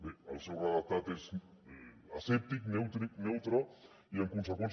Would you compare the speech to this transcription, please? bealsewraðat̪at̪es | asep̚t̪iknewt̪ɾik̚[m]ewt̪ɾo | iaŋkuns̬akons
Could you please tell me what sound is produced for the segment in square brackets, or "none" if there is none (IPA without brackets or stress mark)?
n